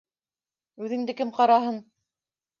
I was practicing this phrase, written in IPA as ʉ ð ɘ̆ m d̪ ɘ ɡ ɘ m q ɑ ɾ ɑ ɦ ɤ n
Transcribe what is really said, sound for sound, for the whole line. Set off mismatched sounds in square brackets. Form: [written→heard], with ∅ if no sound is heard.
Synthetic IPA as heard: ʉ ð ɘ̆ [m→ŋ] d̪ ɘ [ɡ→k] ɘ m q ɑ ɾ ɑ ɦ ɤ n